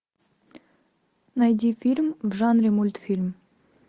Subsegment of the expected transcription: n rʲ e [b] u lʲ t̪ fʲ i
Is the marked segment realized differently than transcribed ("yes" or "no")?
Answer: yes